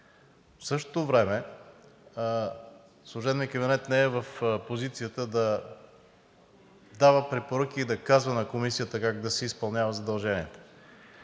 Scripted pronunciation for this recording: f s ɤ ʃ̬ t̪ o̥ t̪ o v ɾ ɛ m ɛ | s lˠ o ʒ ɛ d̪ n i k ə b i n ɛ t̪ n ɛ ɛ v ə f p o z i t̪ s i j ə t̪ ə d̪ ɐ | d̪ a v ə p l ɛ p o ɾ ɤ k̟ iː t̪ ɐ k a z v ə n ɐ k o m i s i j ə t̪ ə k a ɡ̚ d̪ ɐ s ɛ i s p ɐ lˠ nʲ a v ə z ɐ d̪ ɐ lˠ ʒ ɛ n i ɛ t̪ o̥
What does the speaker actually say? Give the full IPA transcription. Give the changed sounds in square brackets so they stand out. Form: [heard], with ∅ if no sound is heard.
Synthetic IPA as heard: f s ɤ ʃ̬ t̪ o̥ t̪ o v ɾ ɛ m ɛ | s lˠ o ʒ ɛ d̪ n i k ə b i n ɛ t̪ n ɛ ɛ v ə f p o z i t̪ s i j ə t̪ ə d̪ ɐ | d̪ a v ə p [ɾ] ɛ p o ɾ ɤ k̟ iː [d̪] ɐ k a z v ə n ɐ k o m i s i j ə t̪ ə k a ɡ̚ d̪ ɐ s ɛ i s p ɐ lˠ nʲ a v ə z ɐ d̪ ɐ lˠ ʒ ɛ n i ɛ t̪ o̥